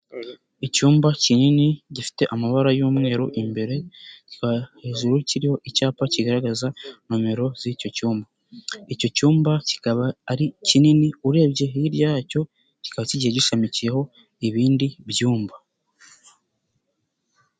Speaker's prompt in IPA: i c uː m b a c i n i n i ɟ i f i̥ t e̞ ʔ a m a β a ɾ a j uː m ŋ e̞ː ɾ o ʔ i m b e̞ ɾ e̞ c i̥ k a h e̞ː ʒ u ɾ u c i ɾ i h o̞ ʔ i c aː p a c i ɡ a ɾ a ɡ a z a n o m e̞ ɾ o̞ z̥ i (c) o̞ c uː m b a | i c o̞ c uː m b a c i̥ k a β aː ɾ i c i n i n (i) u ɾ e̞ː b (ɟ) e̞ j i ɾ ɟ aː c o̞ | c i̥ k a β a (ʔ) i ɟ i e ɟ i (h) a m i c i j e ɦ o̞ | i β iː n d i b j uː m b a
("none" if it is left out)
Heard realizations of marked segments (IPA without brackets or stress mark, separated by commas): c, i, ɟ, c, ʃ